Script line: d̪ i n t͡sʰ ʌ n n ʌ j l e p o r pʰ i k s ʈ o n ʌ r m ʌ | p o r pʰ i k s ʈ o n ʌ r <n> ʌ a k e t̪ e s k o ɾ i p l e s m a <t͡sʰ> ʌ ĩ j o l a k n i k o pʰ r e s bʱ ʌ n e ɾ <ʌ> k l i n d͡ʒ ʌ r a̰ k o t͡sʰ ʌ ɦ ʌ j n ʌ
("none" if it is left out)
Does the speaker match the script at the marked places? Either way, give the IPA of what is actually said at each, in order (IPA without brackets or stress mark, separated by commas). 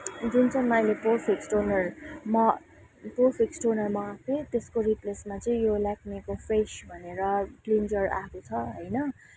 m, t͡s, ʌ